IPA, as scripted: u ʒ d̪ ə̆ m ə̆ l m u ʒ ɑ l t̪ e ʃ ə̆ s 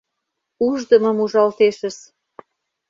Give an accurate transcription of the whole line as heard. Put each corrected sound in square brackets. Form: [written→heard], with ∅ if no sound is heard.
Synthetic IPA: u ʒ d̪ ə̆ m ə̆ [l→∅] m u ʒ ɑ l t̪ e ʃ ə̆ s